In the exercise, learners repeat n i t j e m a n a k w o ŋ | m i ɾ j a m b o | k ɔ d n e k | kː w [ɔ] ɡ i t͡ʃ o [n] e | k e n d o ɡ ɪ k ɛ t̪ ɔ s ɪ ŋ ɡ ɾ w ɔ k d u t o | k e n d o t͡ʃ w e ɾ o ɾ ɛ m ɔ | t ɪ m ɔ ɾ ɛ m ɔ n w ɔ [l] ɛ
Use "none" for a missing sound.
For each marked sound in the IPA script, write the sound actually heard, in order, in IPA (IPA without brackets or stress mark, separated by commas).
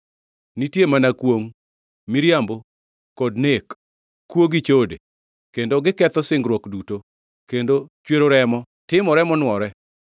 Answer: o, d, ɾ